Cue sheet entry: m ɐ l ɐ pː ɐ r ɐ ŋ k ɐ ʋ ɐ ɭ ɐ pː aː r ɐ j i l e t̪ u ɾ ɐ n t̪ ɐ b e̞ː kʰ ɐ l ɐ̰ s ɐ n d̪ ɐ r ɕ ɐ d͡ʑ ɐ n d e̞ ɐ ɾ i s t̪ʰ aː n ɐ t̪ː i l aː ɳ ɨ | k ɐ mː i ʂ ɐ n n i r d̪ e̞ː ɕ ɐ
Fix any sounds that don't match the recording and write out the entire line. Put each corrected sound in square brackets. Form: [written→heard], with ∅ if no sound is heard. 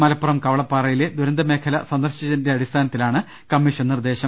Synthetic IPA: m ɐ l ɐ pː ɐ r ɐ [ŋ→m] k ɐ ʋ ɐ ɭ ɐ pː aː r ɐ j i l e [t̪→d̪] u ɾ ɐ n [t̪→d̪] ɐ [b→m] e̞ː kʰ ɐ l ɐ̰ s ɐ n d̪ ɐ r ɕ ɐ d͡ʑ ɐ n d e̞ ɐ [ɾ→ɽ] i s t̪ʰ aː n ɐ t̪ː i l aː ɳ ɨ | k ɐ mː i ʂ ɐ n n i r d̪ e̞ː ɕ ɐ